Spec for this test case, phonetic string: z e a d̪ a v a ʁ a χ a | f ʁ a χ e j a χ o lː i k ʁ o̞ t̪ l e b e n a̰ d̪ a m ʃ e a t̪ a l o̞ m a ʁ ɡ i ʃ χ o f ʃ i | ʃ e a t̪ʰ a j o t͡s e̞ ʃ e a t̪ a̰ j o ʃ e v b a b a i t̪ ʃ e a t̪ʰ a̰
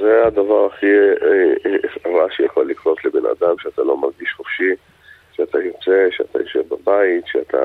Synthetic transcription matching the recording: z e a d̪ a v a ʁ a χ i | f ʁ a ʃ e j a χ o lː i k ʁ o̞ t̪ l e b e n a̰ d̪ a m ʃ e a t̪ a l o̞ m a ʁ ɡ i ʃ χ o f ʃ i | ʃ e a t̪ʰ a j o t͡s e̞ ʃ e a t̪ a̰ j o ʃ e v b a b a i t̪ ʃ e a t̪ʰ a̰